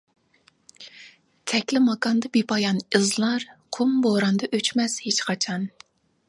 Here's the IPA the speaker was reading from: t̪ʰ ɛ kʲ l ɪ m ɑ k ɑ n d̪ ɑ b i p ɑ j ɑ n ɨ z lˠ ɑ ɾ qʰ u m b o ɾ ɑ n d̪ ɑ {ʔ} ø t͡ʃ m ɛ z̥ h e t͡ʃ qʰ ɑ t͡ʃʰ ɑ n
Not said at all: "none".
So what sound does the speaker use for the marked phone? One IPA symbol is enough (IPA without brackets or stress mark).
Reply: ʔ